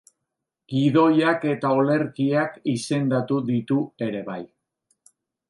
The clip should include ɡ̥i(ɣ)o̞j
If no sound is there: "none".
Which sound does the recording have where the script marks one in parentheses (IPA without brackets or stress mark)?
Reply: ð